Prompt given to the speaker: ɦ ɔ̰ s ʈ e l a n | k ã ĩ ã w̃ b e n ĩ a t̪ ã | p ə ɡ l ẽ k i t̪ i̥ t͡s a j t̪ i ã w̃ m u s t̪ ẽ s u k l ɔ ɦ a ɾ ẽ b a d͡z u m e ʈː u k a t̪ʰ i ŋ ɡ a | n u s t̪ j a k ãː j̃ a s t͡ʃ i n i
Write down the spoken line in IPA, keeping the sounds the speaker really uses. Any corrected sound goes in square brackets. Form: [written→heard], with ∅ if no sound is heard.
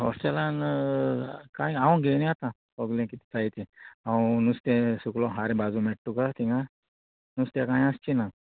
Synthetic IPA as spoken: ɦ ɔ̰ s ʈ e l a n | k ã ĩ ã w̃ [b→ɡ] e n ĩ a t̪ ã | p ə ɡ l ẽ k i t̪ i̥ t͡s a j t̪ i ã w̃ [m→n] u s t̪ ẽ s u k l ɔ ɦ a ɾ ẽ b a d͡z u m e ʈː u k a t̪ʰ i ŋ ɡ a | n u s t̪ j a k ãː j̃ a s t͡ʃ i n [i→a]